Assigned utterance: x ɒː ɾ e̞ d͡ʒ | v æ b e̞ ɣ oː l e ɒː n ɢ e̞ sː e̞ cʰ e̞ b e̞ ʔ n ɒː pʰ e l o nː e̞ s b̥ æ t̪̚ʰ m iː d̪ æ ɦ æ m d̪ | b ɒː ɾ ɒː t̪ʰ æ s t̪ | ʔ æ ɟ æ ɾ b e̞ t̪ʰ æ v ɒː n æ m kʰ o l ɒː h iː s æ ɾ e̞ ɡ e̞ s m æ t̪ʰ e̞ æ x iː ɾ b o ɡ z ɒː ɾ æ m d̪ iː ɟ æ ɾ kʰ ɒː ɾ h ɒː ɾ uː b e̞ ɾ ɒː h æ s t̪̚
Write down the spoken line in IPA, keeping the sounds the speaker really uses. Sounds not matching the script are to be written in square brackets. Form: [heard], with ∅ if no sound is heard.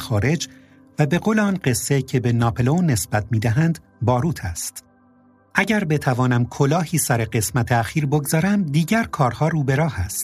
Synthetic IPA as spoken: x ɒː ɾ e̞ d͡ʒ | v æ b e̞ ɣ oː l e ɒː n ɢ e̞ sː e̞ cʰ e̞ b e̞ [∅] n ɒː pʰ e l o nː e̞ s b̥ æ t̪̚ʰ m iː d̪ æ ɦ æ [n] d̪ | b ɒː ɾ [uː] t̪ʰ æ s t̪ | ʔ æ ɟ æ ɾ b e̞ t̪ʰ æ v ɒː n æ m kʰ o l ɒː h iː s æ ɾ e̞ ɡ e̞ s m æ t̪ʰ e̞ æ x iː ɾ b o ɡ z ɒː ɾ æ m d̪ iː ɟ æ ɾ kʰ ɒː ɾ h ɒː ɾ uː b e̞ ɾ ɒː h æ s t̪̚